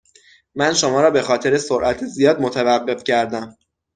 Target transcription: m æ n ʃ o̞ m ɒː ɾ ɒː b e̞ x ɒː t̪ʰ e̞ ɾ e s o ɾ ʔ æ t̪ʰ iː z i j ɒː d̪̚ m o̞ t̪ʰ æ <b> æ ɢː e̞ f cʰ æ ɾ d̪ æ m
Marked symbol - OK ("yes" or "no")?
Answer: no